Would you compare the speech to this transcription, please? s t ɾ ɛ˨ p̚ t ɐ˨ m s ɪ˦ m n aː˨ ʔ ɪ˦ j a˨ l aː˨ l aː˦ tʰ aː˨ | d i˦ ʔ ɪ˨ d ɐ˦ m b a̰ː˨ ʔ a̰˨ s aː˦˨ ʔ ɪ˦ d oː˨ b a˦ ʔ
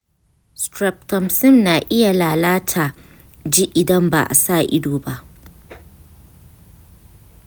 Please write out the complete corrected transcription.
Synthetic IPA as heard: s t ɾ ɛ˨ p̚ t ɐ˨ m s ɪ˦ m n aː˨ ʔ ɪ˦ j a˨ l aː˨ l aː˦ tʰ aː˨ | d͡ʒ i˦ ʔ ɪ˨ d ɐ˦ m b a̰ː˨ ʔ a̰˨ s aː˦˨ ʔ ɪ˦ d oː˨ b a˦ ʔ